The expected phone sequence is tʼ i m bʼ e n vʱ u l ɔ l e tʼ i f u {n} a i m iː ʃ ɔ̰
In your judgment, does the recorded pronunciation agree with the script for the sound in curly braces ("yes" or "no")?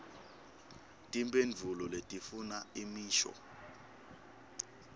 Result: yes